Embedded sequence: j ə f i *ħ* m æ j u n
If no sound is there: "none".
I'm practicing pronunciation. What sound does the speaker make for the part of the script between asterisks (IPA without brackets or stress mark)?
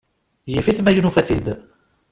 θ